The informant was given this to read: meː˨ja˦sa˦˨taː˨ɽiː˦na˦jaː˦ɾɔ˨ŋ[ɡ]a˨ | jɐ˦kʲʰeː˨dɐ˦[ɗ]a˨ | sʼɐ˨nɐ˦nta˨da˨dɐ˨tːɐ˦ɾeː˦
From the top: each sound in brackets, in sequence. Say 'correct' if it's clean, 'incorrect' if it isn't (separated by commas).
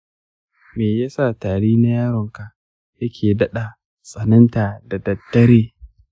incorrect, correct